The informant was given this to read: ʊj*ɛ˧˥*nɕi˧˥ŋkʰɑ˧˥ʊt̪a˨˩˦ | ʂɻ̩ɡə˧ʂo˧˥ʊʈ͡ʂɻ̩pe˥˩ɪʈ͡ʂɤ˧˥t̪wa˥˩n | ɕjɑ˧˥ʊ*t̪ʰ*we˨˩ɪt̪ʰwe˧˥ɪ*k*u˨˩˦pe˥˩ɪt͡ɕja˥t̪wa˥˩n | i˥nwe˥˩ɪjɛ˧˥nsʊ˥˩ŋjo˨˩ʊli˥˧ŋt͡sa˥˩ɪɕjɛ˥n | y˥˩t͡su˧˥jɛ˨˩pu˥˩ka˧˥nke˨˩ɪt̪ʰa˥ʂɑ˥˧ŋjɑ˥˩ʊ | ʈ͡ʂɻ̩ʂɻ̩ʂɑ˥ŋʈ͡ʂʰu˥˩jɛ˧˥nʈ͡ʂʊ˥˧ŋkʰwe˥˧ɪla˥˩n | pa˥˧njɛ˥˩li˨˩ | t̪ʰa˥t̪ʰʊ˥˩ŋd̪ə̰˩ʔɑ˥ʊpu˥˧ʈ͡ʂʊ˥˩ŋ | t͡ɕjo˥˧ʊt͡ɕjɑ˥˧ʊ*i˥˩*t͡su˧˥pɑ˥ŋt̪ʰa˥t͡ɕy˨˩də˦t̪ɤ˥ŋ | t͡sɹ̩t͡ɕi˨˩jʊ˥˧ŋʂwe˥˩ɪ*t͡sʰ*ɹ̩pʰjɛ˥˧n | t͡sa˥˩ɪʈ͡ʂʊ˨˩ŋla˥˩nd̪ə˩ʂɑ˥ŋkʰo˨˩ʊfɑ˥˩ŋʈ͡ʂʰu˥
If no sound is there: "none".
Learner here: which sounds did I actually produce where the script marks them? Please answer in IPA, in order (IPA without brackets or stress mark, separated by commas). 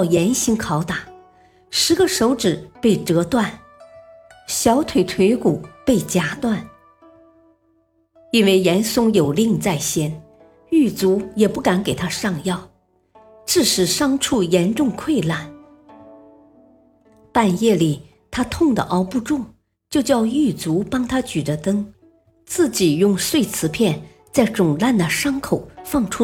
ɛ˧˥, t̪ʰ, k, y˥˩, t͡sʰ